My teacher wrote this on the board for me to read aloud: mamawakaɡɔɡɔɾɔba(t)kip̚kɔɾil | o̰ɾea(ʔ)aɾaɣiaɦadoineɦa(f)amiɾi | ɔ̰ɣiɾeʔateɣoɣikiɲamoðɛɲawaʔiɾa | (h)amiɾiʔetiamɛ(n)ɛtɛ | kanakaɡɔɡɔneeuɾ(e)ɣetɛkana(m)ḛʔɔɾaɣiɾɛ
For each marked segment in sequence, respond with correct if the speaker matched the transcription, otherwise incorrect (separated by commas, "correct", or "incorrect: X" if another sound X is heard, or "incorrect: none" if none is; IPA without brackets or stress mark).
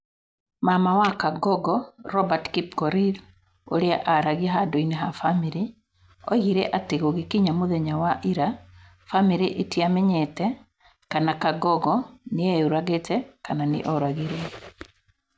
correct, correct, correct, incorrect: f, incorrect: ɲ, incorrect: a, incorrect: n